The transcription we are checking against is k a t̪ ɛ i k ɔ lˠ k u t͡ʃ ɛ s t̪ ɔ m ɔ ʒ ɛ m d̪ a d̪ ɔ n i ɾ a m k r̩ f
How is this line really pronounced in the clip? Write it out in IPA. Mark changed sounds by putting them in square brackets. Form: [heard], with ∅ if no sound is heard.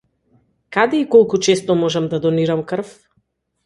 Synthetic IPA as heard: k a [d̪] ɛ i k ɔ lˠ k u t͡ʃ ɛ s t̪ ɔ m ɔ ʒ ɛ m d̪ a d̪ ɔ n i ɾ a m k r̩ f